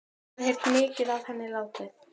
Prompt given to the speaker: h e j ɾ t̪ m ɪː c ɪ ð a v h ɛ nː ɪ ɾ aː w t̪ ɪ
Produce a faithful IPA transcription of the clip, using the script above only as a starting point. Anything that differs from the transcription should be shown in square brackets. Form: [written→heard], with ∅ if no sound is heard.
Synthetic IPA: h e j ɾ t̪ m ɪː c ɪ ð a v h ɛ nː ɪ [ɾ→l] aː w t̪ ɪ